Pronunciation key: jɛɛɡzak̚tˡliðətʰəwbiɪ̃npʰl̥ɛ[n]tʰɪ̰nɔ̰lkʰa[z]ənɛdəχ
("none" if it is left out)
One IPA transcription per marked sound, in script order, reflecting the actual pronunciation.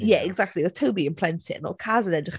n, z

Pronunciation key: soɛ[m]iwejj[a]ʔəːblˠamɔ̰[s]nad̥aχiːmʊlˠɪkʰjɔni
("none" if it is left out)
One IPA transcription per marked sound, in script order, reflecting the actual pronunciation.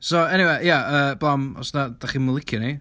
n, a, s

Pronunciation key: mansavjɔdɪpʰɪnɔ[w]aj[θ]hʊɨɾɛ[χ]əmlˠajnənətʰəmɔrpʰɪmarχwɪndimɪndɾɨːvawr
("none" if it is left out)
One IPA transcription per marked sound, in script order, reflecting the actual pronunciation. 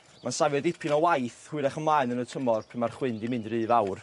w, θ, χ

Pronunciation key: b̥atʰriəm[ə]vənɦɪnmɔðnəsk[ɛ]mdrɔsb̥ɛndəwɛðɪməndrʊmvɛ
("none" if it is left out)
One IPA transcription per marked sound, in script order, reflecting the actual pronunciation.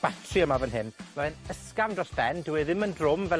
a, a

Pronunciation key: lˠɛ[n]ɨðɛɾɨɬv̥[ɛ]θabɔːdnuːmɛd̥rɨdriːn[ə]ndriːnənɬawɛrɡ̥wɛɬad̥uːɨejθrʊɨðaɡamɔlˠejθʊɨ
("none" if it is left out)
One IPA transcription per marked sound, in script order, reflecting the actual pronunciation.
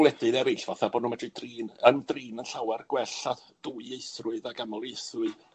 d, a, ə

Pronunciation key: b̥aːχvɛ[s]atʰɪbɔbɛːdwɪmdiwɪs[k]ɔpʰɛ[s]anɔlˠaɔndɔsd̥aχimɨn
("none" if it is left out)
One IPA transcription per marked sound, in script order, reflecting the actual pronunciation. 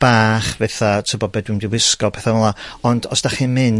θ, k, θ

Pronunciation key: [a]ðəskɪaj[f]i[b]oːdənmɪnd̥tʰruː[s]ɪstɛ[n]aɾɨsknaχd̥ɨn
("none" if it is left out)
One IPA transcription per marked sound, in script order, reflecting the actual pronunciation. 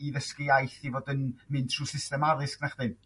i, θ, v, s, m

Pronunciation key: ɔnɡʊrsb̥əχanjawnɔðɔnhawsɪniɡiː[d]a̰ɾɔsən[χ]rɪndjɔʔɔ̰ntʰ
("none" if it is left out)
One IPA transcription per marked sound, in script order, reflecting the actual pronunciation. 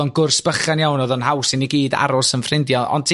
d, f

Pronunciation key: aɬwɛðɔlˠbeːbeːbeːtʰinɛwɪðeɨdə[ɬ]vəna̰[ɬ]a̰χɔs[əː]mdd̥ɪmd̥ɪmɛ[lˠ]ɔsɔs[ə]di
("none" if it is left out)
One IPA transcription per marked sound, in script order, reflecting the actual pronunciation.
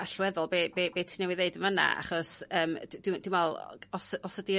none, none, əː, lˠ, ə

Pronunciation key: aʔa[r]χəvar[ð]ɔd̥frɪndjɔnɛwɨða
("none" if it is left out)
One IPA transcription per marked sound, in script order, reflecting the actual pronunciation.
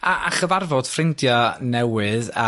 none, v

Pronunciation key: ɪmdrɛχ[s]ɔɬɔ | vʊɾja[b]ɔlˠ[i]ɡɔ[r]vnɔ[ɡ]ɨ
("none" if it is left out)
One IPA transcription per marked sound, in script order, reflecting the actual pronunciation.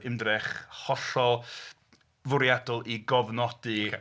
h, d, i, none, d

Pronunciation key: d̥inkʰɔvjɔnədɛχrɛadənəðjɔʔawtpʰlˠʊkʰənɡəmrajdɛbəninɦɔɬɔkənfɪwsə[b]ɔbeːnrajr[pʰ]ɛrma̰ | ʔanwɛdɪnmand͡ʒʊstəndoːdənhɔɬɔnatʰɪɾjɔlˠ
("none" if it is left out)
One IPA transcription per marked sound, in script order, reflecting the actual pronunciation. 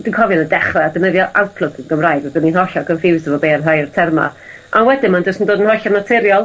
v, tʰ

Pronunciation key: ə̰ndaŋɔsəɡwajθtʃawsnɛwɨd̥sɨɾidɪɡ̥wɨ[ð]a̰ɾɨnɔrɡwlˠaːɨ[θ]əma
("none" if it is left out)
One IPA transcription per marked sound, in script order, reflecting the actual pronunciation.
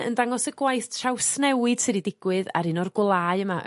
ð, none

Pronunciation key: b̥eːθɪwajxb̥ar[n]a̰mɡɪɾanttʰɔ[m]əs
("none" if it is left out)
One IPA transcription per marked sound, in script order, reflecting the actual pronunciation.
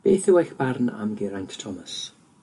n, m

